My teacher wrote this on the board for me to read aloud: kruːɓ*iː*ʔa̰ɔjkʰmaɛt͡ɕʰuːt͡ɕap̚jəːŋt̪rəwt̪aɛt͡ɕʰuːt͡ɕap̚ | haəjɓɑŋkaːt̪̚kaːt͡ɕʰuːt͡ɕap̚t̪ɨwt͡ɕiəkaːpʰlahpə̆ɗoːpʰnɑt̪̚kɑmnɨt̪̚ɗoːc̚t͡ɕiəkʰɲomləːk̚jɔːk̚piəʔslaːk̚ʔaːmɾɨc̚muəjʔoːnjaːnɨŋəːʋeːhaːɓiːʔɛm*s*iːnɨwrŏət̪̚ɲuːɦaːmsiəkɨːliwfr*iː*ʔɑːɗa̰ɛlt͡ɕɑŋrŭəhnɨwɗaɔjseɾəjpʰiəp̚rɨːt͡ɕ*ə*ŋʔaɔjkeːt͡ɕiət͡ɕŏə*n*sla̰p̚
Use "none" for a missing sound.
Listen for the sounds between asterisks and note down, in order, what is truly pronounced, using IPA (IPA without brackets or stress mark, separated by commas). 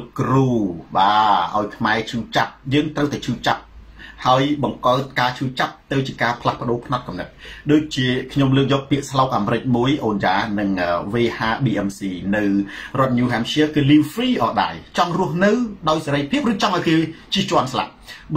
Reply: aː, s, iː, ɑ, n